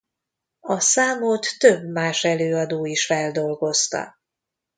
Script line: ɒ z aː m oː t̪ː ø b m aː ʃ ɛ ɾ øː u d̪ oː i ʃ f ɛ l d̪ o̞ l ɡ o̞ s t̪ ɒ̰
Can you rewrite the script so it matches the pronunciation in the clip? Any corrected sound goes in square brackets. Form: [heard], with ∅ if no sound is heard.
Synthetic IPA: ɒ [s] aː m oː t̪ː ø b m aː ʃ ɛ [l] øː [ɒ] d̪ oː i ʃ f ɛ l d̪ o̞ l ɡ o̞ s t̪ ɒ̰